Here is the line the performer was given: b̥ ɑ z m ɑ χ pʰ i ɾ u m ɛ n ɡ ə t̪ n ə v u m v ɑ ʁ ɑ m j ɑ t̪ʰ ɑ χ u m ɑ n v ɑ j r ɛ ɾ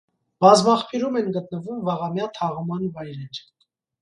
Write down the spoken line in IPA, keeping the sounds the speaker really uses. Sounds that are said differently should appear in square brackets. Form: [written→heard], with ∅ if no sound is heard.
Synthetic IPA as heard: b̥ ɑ z m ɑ χ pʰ i ɾ u m ɛ n ɡ ə t̪ n ə v u m v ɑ ʁ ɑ m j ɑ t̪ʰ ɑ [χ→ʁ] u m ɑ n v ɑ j [r→ɾ] ɛ ɾ